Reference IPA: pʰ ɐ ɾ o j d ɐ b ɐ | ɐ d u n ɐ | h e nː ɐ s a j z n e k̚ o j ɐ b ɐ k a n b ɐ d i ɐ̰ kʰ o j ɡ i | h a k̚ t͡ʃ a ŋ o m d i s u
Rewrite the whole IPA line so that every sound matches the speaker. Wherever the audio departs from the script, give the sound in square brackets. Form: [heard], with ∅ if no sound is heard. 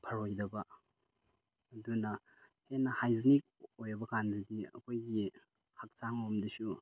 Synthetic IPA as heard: pʰ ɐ ɾ o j d ɐ b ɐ | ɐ d u n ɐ | h e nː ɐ [h] a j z n [i] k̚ o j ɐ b ɐ k a n [d] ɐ d i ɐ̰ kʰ o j ɡ i | h a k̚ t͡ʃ a ŋ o m d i s u